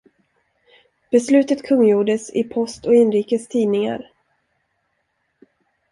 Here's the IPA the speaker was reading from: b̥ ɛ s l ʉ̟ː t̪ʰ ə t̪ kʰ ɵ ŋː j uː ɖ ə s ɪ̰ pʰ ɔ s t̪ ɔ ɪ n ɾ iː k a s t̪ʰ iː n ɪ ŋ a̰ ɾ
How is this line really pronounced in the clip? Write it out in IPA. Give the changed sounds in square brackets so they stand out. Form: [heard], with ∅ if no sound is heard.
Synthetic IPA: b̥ ɛ s l ʉ̟ː [t̪] ə t̪ kʰ ɵ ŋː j uː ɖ ə s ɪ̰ pʰ ɔ s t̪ ɔ ɪ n ɾ iː k [ə] s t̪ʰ iː n ɪ ŋ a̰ ɾ